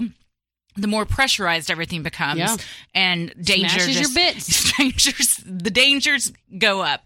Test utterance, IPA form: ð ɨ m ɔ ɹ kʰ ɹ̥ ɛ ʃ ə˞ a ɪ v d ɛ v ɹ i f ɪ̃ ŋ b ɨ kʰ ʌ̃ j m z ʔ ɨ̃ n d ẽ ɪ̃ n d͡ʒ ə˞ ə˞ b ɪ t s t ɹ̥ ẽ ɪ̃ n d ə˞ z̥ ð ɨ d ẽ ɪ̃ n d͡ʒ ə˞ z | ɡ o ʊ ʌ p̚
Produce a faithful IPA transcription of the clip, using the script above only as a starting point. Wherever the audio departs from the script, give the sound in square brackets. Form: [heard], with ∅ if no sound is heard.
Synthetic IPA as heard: ð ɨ m ɔ ɹ [pʰ] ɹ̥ ɛ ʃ ə˞ a ɪ [z] d ɛ v ɹ i [θ] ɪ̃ ŋ b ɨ kʰ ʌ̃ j m z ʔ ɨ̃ n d ẽ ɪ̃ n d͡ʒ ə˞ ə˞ b ɪ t s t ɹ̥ ẽ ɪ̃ n [d͡ʒ] ə˞ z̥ ð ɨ d ẽ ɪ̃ n d͡ʒ ə˞ z | ɡ o ʊ ʌ p̚